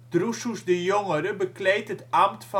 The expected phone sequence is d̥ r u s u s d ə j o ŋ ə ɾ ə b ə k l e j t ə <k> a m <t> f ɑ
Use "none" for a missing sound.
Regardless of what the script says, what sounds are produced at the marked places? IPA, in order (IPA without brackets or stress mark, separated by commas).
t, t